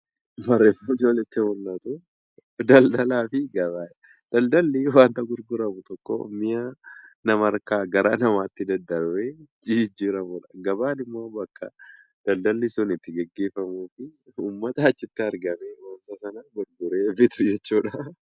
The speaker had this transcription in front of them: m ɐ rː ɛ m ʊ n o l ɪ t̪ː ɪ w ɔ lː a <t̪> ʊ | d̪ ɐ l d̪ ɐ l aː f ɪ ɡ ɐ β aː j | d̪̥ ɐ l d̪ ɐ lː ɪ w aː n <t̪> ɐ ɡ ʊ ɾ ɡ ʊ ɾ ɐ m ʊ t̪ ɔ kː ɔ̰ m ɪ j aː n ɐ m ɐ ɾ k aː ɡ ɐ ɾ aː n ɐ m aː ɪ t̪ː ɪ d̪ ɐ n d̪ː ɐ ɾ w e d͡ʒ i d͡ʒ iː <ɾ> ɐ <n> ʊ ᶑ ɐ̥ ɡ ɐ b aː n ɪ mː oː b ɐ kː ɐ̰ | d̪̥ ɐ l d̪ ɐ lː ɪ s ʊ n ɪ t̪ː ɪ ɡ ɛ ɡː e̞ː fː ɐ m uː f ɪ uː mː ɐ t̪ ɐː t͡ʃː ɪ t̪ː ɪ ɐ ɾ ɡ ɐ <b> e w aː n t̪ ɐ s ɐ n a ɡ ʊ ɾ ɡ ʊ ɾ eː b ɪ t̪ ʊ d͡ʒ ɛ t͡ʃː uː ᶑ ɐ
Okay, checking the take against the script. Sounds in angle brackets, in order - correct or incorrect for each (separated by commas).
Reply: correct, correct, correct, incorrect, incorrect